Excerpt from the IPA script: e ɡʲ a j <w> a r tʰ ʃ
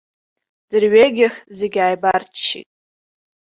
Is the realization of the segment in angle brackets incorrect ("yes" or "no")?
yes